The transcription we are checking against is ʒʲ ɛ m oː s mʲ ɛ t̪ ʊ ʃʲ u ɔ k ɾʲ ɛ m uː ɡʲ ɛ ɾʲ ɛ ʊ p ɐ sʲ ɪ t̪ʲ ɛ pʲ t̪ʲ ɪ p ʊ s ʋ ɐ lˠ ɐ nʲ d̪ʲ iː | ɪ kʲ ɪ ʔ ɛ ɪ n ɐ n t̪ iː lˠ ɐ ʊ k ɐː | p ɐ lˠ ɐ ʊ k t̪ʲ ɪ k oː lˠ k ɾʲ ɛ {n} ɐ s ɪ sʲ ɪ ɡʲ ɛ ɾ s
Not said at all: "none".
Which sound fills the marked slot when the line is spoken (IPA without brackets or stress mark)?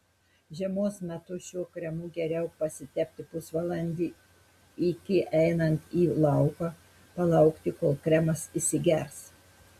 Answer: m